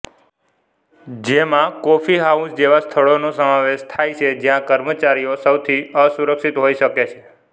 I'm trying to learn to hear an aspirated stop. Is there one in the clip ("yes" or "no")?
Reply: yes